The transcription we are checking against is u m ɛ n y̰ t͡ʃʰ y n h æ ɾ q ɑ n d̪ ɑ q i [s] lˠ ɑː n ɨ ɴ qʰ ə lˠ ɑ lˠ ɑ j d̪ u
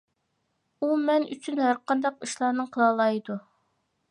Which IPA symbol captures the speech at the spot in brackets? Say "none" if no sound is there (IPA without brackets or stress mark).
ʃ